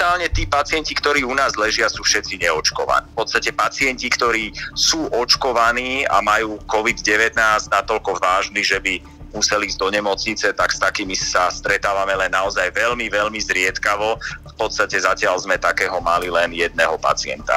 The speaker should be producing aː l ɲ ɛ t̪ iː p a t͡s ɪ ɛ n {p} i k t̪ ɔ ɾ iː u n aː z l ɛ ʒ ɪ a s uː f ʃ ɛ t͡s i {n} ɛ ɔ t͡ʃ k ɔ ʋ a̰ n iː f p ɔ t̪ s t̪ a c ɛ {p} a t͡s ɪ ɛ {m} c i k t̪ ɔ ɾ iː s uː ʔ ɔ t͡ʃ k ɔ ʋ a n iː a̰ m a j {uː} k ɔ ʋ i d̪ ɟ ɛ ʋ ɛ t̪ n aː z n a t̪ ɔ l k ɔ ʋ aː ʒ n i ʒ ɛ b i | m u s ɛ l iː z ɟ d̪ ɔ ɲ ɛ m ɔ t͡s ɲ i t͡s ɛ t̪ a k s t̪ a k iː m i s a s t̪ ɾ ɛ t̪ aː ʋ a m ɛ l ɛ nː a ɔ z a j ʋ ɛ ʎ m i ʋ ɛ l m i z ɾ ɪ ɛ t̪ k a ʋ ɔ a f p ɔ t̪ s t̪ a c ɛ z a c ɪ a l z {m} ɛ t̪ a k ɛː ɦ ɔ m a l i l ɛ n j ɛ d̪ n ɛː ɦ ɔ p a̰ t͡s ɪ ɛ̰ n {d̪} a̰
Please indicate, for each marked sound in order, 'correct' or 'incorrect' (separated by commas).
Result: incorrect, incorrect, correct, incorrect, correct, correct, incorrect